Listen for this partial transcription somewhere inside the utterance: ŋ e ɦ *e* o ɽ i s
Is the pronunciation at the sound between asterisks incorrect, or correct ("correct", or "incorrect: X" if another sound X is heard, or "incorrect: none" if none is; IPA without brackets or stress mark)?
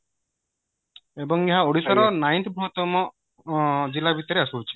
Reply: incorrect: a